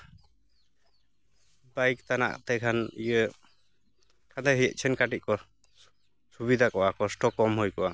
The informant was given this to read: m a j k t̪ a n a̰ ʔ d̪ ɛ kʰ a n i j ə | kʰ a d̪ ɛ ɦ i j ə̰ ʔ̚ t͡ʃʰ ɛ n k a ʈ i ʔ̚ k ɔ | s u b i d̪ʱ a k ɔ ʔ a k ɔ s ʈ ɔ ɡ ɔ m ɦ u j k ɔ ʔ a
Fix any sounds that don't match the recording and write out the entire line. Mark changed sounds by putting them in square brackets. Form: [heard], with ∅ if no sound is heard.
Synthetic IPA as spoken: [b] a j k t̪ a n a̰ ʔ [t̪] ɛ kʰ a n i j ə | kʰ a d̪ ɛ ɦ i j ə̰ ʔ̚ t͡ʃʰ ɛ n k a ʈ i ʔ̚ k ɔ | s u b i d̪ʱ a k ɔ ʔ a k ɔ s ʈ ɔ [k] ɔ m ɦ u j k ɔ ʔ a